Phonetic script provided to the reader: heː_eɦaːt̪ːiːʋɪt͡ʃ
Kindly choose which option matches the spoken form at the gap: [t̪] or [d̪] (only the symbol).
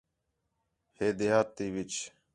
d̪